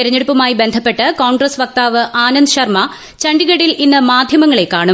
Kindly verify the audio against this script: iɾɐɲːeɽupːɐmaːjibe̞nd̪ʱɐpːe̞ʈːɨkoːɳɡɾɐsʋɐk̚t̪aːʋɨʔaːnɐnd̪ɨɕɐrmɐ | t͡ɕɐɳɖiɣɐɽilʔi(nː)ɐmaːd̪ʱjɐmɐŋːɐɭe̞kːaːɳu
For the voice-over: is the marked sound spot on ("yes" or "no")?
yes